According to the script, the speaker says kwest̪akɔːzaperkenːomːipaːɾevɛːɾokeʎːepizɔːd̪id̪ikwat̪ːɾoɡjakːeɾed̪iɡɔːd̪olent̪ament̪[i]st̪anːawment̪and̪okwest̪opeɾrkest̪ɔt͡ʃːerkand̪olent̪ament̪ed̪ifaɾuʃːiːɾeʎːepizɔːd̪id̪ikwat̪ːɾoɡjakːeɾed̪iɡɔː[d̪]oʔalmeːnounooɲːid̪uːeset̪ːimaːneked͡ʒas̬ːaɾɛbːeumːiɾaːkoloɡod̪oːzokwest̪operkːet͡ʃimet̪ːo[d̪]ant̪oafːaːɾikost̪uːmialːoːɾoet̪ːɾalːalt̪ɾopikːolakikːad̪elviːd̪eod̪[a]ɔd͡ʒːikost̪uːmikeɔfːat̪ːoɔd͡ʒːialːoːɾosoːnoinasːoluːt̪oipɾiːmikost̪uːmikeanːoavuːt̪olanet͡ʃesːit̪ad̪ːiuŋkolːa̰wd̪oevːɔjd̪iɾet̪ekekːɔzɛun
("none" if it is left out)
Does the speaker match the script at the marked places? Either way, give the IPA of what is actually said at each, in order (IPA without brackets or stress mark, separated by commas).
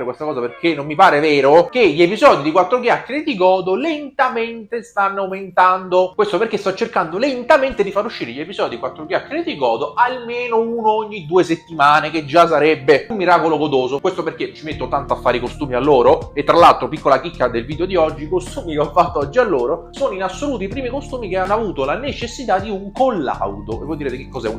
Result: e, d̪, t̪, i